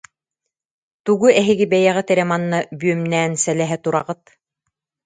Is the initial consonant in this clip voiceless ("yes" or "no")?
yes